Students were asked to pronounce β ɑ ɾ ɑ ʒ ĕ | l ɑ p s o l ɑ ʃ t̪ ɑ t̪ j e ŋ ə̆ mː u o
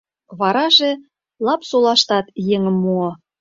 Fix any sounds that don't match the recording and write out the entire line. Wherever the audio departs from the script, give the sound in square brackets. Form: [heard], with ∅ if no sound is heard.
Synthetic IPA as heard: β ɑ ɾ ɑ ʒ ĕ | l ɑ p s o l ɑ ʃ t̪ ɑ t̪ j e ŋ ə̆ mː u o